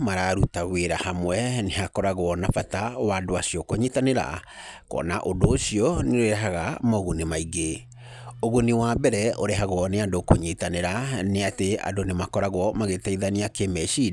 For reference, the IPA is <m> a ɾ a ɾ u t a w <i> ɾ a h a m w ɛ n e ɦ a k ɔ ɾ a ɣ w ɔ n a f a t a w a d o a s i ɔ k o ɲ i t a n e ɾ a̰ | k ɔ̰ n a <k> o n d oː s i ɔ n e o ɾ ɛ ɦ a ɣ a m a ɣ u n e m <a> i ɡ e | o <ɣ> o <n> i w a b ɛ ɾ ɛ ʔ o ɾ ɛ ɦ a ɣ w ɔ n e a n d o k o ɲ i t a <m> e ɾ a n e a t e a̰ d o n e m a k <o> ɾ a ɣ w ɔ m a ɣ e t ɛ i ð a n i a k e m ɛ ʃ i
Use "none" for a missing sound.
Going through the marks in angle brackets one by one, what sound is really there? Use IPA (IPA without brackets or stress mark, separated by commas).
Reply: m, e, ʔ, a, ɣ, n, n, ɔ